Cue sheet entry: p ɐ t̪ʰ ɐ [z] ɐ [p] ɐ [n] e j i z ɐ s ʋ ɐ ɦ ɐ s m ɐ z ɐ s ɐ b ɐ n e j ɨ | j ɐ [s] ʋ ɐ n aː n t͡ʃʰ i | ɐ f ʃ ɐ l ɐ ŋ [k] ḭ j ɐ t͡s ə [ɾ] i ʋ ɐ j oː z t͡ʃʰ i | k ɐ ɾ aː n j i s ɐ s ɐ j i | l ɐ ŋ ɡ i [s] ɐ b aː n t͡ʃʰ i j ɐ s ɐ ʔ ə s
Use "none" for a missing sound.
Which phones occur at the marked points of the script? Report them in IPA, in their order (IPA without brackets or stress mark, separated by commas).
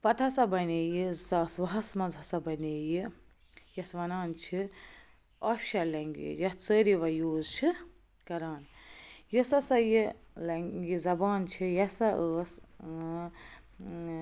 s, b, n, s, ɡ, ɾ, z